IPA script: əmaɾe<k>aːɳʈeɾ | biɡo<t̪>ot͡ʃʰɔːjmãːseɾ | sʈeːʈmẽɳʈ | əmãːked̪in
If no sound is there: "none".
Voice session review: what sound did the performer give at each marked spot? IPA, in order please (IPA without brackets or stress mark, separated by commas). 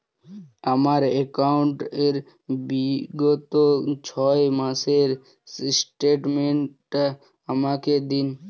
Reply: k, t̪